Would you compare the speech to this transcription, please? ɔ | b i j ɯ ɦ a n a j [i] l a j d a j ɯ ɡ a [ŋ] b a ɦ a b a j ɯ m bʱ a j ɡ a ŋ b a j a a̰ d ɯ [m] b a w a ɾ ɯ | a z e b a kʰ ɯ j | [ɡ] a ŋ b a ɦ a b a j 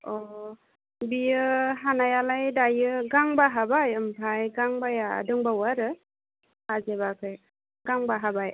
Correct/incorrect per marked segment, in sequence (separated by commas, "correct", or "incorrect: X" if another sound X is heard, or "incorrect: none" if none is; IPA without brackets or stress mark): incorrect: a, correct, incorrect: ŋ, correct